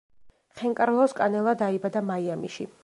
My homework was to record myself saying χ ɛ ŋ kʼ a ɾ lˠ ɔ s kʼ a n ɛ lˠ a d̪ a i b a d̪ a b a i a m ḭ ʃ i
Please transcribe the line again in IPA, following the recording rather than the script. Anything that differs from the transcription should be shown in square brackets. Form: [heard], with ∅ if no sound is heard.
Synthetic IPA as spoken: χ ɛ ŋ kʼ a ɾ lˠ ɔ s kʼ a n ɛ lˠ a d̪ a i b a d̪ a [m] a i a m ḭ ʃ i

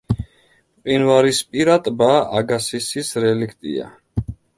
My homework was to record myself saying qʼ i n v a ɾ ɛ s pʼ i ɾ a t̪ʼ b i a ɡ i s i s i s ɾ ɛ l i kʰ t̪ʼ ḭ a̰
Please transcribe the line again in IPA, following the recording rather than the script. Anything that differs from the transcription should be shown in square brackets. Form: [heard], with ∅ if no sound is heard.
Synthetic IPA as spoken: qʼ i n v a ɾ [i] s pʼ i ɾ a t̪ʼ b [a] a ɡ [a] s i s i s ɾ ɛ l i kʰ t̪ʼ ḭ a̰

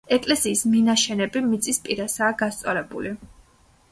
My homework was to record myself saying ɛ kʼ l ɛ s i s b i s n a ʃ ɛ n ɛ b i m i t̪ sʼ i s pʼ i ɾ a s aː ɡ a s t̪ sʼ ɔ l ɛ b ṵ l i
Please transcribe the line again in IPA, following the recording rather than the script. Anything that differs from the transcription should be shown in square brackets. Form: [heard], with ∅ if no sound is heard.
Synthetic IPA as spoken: ɛ kʼ l ɛ s [iː] s [m] i [∅] n a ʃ ɛ n ɛ b i m i t̪ sʼ i s pʼ i ɾ a s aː ɡ a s t̪ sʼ ɔ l ɛ b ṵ l i

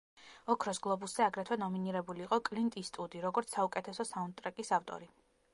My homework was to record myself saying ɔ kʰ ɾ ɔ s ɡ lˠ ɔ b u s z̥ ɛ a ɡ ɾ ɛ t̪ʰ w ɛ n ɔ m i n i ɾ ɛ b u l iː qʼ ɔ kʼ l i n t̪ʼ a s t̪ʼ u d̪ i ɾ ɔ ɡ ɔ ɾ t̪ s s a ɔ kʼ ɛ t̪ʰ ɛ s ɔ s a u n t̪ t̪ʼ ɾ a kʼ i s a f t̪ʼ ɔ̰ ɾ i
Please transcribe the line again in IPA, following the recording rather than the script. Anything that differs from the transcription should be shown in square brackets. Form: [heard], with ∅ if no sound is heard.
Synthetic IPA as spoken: ɔ kʰ ɾ ɔ s ɡ lˠ ɔ b u s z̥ ɛ a ɡ ɾ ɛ t̪ʰ w ɛ n ɔ m i n i ɾ ɛ b u l iː qʼ ɔ kʼ l i n t̪ʼ [i] s t̪ʼ u d̪ i ɾ ɔ ɡ ɔ ɾ t̪ s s a [u] kʼ ɛ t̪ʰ ɛ s ɔ s a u n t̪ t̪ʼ ɾ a kʼ i s a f t̪ʼ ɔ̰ ɾ i

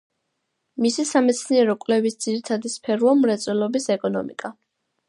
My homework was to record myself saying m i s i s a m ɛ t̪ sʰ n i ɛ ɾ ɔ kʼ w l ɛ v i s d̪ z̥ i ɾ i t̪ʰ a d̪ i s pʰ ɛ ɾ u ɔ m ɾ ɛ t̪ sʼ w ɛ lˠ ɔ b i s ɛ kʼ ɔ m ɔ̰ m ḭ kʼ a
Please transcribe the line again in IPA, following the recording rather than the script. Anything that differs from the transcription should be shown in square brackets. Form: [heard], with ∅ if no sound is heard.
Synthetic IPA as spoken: m i s i s a m ɛ t̪ sʰ n i ɛ ɾ ɔ kʼ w l ɛ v i s d̪ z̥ i ɾ i t̪ʰ a d̪ i s pʰ ɛ ɾ u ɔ m ɾ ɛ t̪ sʼ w ɛ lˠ ɔ b i s ɛ kʼ ɔ [n] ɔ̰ m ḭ kʼ a

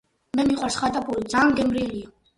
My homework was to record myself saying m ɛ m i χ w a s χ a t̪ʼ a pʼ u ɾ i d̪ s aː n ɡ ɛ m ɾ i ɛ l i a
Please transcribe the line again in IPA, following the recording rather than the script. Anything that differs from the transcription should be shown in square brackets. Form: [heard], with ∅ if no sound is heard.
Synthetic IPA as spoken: m ɛ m i χ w a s χ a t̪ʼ a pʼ u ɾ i d̪ [z] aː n ɡ ɛ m ɾ i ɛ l i a

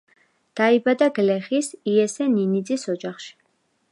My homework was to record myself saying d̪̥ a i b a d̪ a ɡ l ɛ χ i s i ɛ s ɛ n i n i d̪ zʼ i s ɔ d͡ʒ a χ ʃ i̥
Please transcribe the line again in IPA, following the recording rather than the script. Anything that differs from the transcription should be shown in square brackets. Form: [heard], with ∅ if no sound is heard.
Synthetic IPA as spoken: d̪̥ a i b a d̪ a ɡ l ɛ χ i s i ɛ s ɛ n i n i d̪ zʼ i s ɔ d͡ʒ a χ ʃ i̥

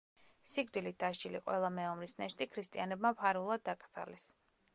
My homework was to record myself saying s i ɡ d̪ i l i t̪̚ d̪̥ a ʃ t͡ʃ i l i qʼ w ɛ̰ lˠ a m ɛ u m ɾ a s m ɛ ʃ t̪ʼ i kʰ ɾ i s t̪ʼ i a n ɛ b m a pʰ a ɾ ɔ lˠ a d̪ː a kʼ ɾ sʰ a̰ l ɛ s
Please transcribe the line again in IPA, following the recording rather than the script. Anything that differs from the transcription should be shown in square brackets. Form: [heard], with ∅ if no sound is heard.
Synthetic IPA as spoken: s i ɡ d̪ i l i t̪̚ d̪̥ a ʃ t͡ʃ i l i qʼ w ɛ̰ lˠ a m ɛ [ɔ] m ɾ [i] s [n] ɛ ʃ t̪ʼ i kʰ ɾ i s t̪ʼ i a n ɛ b m a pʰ a ɾ [u] lˠ a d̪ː a kʼ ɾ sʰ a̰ l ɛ s

